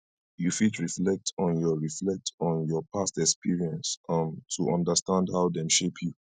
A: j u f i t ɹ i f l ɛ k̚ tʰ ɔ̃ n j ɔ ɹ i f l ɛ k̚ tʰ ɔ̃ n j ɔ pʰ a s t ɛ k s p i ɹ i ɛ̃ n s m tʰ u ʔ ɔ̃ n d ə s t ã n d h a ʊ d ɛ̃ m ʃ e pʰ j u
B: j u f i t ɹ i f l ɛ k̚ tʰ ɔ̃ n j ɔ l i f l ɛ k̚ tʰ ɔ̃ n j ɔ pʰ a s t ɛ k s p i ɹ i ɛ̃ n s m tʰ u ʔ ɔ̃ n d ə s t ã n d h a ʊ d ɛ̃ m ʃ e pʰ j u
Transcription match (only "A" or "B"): A